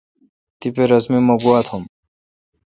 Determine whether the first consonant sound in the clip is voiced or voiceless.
voiceless